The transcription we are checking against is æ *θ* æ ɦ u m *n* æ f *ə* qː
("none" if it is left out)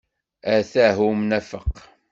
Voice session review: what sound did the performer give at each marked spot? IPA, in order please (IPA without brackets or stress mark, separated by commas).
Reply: θ, n, ə